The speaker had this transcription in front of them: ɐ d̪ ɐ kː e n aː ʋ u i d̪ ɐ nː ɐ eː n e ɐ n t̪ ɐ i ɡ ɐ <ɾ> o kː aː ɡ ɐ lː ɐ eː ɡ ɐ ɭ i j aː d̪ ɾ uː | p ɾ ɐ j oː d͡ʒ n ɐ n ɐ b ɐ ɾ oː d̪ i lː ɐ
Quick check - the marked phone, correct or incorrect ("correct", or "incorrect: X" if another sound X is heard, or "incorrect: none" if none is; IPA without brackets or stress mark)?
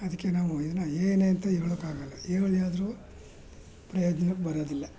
incorrect: ɭ